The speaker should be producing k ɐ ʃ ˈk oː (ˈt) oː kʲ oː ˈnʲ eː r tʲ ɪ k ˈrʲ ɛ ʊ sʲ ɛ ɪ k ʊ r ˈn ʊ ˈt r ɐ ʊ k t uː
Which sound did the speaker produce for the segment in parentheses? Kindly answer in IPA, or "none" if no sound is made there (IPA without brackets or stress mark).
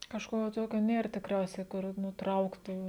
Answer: t